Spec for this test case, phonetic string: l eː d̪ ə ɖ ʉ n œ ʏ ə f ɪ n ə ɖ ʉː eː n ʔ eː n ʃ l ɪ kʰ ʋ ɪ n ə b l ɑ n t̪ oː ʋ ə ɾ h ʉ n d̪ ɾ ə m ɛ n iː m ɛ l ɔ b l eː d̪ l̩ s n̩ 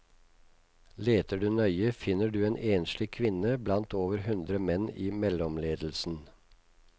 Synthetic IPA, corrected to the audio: l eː t̪ ə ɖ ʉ n œ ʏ ə f ɪ n ə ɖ ʉː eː n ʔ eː n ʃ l ɪ kʰ ʋ ɪ n ə b l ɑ n t̪ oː ʋ ə ɾ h ʉ n d̪ ɾ ə m ɛ n iː m ɛ l ɔ m l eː d̪ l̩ s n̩

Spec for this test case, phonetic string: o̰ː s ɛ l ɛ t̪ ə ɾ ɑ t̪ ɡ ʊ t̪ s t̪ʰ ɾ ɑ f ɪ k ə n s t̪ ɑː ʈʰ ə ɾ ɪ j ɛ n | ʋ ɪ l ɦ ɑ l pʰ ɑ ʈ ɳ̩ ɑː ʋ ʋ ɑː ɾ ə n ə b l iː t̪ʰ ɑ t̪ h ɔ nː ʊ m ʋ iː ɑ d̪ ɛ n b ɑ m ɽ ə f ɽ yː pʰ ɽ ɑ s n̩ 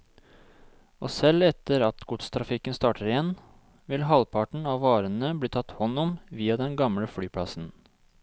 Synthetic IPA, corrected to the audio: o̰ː s ɛ l ɛ t̪ ə ɾ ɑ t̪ ɡ ʊ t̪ s t̪ʰ ɾ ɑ f ɪ k ə n s t̪ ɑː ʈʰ ə ɾ ɪ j ɛ n | ʋ ɪ l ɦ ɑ l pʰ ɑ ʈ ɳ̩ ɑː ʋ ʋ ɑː ɾ ə n ə b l iː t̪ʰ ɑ t̪ h ɔ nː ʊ m ʋ iː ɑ d̪ ɛ n ɡ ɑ m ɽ ə f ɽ yː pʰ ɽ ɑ s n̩

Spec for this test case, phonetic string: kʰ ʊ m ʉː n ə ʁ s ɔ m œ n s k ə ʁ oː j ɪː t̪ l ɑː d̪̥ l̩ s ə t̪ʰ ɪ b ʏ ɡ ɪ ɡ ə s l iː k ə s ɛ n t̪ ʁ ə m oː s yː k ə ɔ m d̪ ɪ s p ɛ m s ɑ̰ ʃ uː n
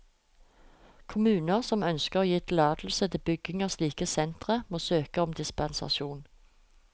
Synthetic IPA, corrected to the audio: kʰ ʊ m ʉː n ə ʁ s ɔ m œ n s k ə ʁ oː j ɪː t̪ l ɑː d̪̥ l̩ s ə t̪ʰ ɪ b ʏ ɡ ɪ ŋ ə s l iː k ə s ɛ n t̪ ʁ ə m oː s øː k ə ɔ m d̪ ɪ s p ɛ n s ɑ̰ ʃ uː n

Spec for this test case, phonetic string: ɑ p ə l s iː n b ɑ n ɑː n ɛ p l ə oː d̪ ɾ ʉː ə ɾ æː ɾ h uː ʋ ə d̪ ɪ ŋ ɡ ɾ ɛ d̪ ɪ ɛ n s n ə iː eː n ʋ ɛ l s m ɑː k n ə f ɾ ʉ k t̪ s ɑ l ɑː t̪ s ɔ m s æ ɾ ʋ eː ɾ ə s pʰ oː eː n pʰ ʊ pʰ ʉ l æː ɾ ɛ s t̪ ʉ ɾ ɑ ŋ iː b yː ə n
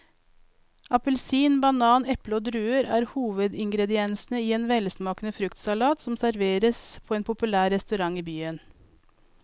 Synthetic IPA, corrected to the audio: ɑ p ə l s iː n b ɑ n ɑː n ɛ p l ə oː d̪ ɾ ʉː ə ɾ æː ɾ h uː ʋ ə d̪ ɪ ŋ ɡ ɾ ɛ d̪ ɪ ɛ n s n ə iː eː n ʋ ɛ l s m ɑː k n ə f ɾ ʉ k t̪ s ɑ l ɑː t̪ s ɔ m s æ ɾ ʋ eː ɾ ə s pʰ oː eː n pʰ ʊ p ʉ l æː ɾ ɛ s t̪ ʉ ɾ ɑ ŋ iː b yː ə n

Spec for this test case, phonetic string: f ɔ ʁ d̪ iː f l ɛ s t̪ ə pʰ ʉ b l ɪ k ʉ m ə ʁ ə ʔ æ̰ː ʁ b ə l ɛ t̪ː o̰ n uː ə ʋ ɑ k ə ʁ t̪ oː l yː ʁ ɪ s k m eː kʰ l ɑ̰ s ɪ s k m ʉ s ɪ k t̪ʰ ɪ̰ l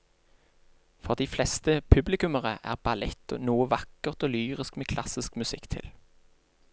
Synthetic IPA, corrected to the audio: f ɔ ʁ d̪ iː f l ɛ s t̪ ə pʰ ʉ b l ɪ k ʉ m ə ʁ ə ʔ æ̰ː ʁ b ɑ l ɛ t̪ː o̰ n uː ə ʋ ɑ k ə ʁ t̪ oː l yː ʁ ɪ s k m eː kʰ l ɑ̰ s ɪ s k m ʉ s ɪ k t̪ʰ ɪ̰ l

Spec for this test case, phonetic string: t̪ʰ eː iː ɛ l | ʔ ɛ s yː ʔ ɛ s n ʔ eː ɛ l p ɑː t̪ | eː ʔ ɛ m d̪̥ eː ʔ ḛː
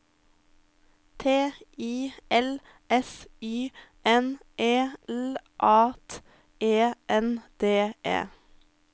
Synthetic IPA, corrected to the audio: t̪ʰ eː iː ɛ l | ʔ ɛ s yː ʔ ɛ n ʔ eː ɛ l ʔ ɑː t̪ | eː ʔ ɛ n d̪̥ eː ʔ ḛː

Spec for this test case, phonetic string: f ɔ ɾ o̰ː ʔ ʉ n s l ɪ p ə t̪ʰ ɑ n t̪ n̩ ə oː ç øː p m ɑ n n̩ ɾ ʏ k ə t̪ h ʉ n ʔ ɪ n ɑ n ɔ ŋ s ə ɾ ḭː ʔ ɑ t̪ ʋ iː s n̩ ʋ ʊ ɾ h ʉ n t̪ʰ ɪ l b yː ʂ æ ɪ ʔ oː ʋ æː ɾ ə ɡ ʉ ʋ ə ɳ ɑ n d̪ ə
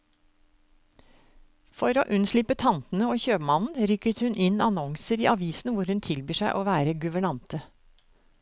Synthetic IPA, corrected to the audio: f ɔ ɾ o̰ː ʔ ʉ n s l ɪ p ə t̪ʰ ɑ n t̪ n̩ ə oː ç øː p m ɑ n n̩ ɾ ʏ k ə t̪ h ʉ n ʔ ɪ n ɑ n ɔ ŋ s ə ɾ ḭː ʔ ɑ ʋ iː s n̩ ʋ ʊ ɾ h ʉ n t̪ʰ ɪ l b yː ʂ æ ɪ ʔ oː ʋ æː ɾ ə ɡ ʉ ʋ ə ɳ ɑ n t̪ ə

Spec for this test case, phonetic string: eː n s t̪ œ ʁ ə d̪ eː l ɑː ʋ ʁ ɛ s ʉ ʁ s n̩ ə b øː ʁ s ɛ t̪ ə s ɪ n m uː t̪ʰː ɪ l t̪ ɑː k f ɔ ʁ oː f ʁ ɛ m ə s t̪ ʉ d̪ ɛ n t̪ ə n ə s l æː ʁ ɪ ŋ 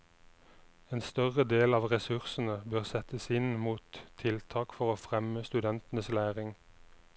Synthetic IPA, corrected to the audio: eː n s t̪ œ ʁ ə d̪ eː l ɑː ʋ ʁ ɛ s ʉ ʁ s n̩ ə b øː ʁ s ɛ t̪ ə s ɪ n m uː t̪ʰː ɪ l t̪ʰ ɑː k f ɔ ʁ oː f ʁ ɛ m ə s t̪ ʉ d̪ ɛ n t̪ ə n ə s l æː ʁ ɪ ŋ

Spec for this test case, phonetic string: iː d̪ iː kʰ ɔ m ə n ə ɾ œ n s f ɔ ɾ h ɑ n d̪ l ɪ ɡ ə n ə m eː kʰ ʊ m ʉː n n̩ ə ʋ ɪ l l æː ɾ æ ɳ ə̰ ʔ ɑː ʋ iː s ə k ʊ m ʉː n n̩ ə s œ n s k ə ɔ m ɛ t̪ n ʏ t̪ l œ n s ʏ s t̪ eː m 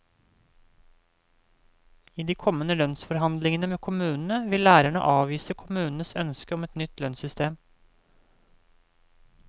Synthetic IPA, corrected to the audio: iː d̪ iː kʰ ɔ m ə n ə l œ n s f ɔ ɾ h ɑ n d̪ l ɪ ŋ ə n ə m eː kʰ ʊ m ʉː n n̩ ə ʋ ɪ l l æː ɾ æ ɳ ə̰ ʔ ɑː ʋ iː s ə kʰ ʊ m ʉː n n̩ ə s œ n s k ə ɔ m ɛ t̪ n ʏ t̪ l œ n s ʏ s t̪ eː m

